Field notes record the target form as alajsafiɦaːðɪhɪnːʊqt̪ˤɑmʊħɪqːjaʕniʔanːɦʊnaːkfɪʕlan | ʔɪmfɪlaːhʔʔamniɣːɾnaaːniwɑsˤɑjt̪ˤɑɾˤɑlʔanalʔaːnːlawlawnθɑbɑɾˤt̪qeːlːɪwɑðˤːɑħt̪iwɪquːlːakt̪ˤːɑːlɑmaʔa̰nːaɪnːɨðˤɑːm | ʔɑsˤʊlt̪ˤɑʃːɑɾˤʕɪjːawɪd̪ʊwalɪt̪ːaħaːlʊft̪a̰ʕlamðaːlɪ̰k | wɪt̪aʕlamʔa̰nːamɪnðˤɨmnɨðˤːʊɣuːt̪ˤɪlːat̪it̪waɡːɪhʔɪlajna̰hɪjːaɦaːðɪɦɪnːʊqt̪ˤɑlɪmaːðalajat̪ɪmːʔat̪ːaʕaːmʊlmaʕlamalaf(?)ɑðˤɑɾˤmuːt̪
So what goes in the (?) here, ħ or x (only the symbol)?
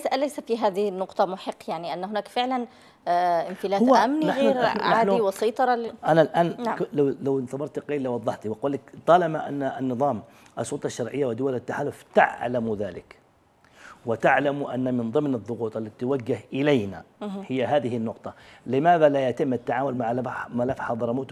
ħ